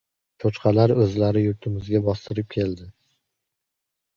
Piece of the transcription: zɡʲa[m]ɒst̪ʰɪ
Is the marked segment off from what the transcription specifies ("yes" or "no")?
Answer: yes